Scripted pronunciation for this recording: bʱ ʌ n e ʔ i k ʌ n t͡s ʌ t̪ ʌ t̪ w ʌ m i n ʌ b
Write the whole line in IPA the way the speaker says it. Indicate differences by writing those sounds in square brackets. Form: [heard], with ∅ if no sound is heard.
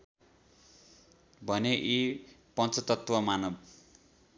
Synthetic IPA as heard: bʱ ʌ n e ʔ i [p] ʌ n t͡s ʌ t̪ ʌ t̪ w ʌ m [a] n ʌ b